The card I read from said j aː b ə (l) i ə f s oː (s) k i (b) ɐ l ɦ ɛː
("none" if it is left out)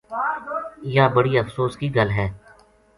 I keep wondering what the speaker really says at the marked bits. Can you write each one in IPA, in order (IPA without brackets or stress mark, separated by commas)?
ɽ, s, ɡ